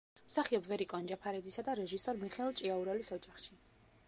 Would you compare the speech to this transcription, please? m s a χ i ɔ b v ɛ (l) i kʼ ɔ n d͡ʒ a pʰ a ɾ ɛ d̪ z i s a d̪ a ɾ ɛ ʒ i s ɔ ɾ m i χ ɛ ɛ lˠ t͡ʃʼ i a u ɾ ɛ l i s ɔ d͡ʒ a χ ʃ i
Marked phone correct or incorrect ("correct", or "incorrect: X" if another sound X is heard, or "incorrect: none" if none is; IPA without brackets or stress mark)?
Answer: incorrect: ɾ